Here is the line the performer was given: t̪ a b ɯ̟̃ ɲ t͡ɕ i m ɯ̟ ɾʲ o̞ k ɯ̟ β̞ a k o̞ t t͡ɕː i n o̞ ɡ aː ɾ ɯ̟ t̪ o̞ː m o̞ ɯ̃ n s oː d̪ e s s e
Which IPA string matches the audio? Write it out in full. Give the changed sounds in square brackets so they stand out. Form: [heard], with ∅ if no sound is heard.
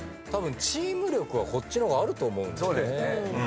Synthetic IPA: t̪ a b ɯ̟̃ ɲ t͡ɕ [iː] m ɯ̟ ɾʲ o̞ k ɯ̟ β̞ a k o̞ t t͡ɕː i n o̞ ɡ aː ɾ ɯ̟ t̪ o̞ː m o̞ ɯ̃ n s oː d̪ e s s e